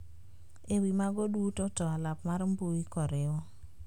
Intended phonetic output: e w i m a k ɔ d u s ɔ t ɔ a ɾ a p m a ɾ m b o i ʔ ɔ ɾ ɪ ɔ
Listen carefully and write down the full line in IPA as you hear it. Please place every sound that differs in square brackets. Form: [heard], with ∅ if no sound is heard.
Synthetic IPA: e w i m a [ɡ] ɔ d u [t] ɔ t ɔ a [l] a p m a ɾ m b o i [k] ɔ ɾ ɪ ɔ